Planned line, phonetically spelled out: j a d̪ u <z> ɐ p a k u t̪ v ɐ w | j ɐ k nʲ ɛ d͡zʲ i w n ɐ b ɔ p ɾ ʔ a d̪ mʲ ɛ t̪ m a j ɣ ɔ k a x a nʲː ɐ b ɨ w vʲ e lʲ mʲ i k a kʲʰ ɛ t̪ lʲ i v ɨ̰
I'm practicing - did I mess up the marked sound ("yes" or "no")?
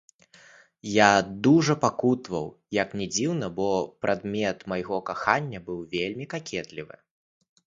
yes